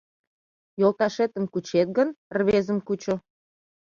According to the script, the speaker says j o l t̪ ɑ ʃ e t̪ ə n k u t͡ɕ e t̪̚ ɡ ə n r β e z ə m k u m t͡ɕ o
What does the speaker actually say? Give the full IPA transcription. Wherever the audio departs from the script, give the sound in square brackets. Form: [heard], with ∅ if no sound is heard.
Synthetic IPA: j o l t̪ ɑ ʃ e t̪ ə [m] k u t͡ɕ e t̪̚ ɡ ə n r β e z ə m k u [∅] t͡ɕ o